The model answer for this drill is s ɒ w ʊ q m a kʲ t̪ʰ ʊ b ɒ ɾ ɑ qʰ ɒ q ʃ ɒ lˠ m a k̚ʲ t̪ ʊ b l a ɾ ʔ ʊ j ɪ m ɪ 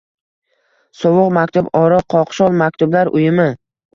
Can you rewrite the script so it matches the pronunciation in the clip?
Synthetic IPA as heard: s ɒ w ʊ q m a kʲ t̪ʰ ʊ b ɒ ɾ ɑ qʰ ɒ q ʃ ɒ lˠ m a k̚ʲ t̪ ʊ b l a ɾ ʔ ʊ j ɪ m ɪ